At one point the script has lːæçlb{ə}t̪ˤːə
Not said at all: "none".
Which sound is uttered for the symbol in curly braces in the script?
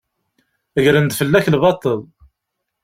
ɑ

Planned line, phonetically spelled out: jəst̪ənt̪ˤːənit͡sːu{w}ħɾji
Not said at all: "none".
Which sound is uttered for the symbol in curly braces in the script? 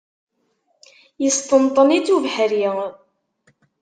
v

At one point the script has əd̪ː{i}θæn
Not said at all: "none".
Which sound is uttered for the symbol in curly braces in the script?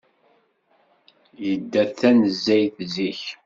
æ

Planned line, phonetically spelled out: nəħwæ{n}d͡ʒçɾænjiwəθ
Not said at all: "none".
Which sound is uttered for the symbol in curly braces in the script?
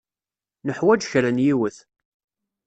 none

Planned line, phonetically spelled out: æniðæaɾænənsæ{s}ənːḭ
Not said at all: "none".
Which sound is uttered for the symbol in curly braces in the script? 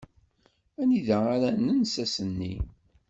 s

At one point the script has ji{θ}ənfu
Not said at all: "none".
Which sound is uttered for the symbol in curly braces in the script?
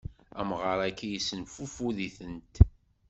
s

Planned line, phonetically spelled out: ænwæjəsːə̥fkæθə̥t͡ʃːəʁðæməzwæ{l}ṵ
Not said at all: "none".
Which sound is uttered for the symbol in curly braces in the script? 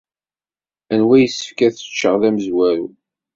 ɾ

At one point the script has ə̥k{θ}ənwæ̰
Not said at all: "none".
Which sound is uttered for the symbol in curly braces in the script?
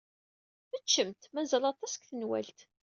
θ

